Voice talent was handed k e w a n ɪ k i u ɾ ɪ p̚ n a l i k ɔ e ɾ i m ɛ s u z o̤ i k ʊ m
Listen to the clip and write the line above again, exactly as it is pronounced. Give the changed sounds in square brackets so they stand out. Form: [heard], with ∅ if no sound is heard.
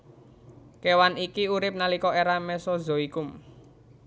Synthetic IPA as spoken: k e w a n [i] k i u ɾ ɪ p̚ n a l i k ɔ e ɾ [a] m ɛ s [ɔ] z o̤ i k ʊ m

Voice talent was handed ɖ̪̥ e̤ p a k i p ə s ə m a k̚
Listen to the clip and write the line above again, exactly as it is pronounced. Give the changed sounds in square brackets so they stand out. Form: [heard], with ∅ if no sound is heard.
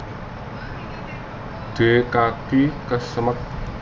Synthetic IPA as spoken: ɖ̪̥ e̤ [k] a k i [k] ə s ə m [ə] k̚

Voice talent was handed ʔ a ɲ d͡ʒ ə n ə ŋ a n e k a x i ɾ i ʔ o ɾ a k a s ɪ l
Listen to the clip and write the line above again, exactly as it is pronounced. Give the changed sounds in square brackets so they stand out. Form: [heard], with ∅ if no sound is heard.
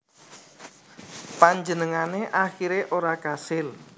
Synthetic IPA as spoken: [p] a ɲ d͡ʒ ə n ə ŋ a n e [ʔ] a x i ɾ [e] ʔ o ɾ a k a s ɪ l

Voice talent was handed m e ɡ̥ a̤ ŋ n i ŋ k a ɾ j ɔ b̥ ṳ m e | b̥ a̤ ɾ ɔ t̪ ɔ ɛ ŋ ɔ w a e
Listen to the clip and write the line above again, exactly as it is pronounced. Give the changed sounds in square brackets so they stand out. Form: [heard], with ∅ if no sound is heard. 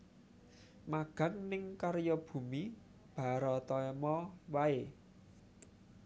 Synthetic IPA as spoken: m [a] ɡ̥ a̤ ŋ n [ɪ] ŋ k a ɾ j ɔ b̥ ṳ m [i] | b̥ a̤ ɾ ɔ t̪ ɔ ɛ [m] ɔ w a e

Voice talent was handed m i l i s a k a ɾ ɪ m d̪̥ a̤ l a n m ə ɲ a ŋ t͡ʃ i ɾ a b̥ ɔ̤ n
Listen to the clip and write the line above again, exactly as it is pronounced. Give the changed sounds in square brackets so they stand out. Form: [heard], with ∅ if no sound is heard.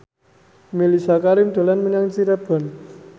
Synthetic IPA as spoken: m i l i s a k a ɾ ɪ m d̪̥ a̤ l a n m ə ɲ a ŋ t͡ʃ i ɾ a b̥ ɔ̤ n

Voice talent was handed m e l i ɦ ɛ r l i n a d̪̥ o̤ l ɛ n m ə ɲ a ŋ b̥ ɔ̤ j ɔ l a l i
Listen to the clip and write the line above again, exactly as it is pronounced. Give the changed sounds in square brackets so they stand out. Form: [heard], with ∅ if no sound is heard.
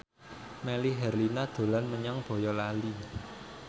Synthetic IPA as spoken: m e l i ɦ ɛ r l i n a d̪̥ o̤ l [a] n m ə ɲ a ŋ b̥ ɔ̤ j ɔ l a l i

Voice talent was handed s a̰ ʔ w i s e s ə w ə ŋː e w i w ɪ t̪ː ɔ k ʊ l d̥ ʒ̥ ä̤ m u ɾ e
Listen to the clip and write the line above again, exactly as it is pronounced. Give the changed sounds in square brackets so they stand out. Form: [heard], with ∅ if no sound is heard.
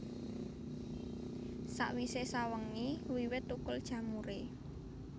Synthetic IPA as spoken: s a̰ ʔ w i s e s [a] w ə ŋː [i] w i w ɪ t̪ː [u] k ʊ l d̥ ʒ̥ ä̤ m u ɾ e

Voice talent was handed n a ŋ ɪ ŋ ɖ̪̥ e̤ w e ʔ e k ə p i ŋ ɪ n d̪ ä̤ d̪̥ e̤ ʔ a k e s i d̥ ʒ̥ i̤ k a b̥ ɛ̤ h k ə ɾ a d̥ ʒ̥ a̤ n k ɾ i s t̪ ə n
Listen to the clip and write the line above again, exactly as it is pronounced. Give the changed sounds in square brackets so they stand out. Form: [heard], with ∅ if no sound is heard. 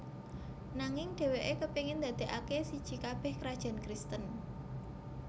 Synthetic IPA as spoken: n a ŋ ɪ ŋ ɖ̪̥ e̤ w e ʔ e k ə p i ŋ ɪ n d̪ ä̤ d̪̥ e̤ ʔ a k e s i d̥ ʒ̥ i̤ k a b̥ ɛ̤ h k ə ɾ a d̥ ʒ̥ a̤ n k ɾ i s t̪ ə n

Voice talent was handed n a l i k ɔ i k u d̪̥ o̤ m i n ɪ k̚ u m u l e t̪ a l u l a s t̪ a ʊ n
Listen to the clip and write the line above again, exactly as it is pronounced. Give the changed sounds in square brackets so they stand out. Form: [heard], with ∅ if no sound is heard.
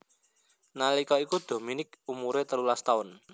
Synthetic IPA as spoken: n a l i k ɔ i k u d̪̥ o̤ m i n ɪ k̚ u m u [ɾ] e t̪ [ə] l u l a s t̪ a ʊ n

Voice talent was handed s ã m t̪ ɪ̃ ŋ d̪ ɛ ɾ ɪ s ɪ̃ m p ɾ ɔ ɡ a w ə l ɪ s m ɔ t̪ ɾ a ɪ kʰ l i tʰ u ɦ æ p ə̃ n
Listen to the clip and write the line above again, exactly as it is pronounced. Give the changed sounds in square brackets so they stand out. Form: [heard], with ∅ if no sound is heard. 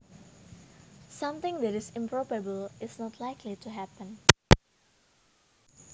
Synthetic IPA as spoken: s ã m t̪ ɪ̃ ŋ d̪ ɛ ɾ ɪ s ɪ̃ m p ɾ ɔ [b] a [b] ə l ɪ s [n] ɔ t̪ [l] a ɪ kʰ l i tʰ u ɦ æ p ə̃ n

